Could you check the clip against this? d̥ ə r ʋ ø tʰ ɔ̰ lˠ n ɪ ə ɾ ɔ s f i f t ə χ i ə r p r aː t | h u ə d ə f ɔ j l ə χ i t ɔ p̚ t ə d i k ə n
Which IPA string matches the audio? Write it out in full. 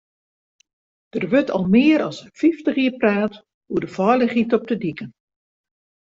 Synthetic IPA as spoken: d̥ ə r ʋ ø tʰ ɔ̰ lˠ m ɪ ə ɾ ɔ s f i f t ə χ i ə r p r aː t | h u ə d ə f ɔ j l ə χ i t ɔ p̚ t ə d i k ə n